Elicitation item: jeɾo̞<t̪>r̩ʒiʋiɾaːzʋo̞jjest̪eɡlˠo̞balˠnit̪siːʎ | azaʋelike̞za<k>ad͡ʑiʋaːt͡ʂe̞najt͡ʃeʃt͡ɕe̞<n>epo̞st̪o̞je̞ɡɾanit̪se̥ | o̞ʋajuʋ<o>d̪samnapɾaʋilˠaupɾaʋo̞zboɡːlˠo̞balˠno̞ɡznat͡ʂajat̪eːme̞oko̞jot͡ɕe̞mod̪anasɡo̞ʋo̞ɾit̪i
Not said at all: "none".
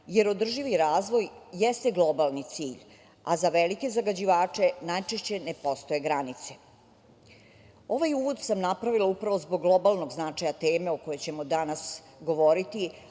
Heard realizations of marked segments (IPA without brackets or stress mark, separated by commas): d̪, ɡ, n, o